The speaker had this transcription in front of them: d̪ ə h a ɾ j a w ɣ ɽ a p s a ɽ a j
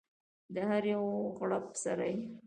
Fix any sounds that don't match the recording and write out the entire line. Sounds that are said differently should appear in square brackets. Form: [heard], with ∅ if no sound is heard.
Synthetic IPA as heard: d̪ ə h a ɾ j a w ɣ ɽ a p s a [ɾ] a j